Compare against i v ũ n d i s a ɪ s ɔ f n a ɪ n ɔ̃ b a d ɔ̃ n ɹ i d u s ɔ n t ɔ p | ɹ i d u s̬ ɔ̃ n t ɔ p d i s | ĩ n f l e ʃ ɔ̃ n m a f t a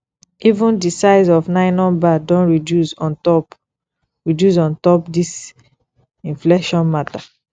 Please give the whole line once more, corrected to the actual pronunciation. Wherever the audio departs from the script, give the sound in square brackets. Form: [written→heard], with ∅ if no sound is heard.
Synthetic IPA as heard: i v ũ n d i s a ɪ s ɔ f n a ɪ n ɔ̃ b a d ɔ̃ n ɹ i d u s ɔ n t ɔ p | ɹ i d u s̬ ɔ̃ n t ɔ p d i s | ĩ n f l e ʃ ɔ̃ n m a [f→∅] t a